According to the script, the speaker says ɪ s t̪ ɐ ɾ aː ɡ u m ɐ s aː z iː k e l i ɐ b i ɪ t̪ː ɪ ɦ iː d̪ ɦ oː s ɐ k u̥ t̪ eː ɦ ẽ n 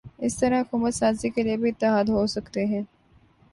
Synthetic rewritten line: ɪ s t̪ ɐ ɾ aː k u m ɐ s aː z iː k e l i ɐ b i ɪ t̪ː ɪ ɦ aː d̪ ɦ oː s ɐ k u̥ t̪ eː ɦ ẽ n